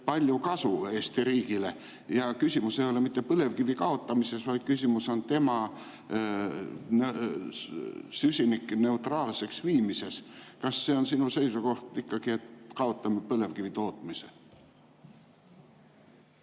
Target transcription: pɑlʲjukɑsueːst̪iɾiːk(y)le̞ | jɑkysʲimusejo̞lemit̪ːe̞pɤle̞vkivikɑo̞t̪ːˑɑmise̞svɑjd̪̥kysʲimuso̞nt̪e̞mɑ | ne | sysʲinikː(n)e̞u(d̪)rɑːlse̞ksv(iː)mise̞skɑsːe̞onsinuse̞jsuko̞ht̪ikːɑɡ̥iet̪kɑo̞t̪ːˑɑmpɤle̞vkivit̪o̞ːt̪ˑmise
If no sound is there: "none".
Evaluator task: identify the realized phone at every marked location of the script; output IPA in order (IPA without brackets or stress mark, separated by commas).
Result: i, n, t̪, iː